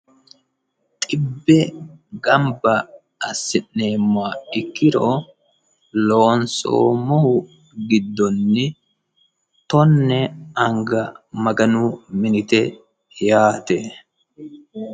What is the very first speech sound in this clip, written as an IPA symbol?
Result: t̪ʼ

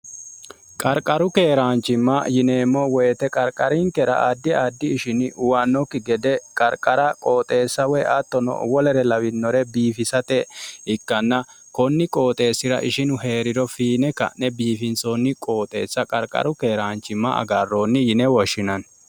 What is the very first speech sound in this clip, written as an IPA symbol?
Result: kʼ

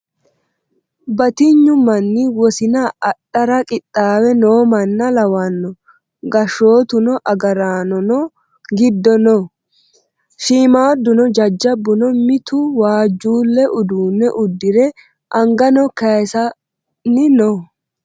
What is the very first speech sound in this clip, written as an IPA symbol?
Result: b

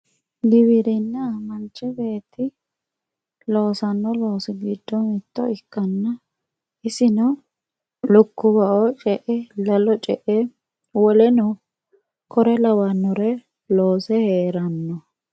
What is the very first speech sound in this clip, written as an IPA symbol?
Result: ɡ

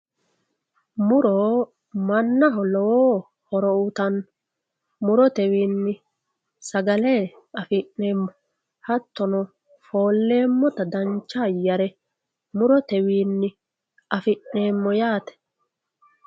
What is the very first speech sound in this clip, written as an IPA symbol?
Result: m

